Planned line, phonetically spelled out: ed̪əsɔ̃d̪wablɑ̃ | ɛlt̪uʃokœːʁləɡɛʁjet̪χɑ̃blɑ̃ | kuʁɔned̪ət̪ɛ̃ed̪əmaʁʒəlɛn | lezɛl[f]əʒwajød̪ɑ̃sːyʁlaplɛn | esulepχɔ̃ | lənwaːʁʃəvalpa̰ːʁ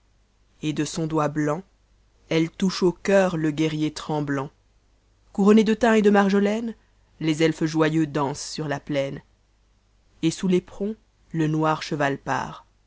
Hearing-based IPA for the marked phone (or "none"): f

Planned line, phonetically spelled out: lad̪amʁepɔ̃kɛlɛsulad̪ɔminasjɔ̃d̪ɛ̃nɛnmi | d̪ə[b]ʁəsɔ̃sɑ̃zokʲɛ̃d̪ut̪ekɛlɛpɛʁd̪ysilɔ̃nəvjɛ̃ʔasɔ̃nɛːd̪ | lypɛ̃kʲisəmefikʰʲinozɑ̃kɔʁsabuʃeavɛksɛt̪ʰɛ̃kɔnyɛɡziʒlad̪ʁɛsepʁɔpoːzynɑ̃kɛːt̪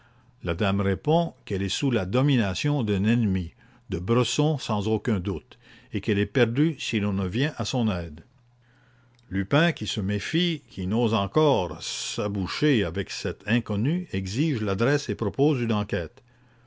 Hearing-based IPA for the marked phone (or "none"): b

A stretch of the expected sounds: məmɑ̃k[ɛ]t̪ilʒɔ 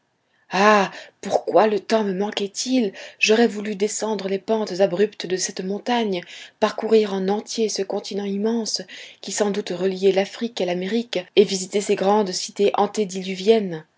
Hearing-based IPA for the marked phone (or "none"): ɛ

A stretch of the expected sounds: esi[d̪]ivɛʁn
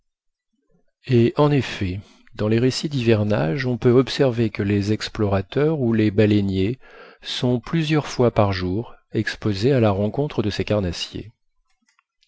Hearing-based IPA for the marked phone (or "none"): d̪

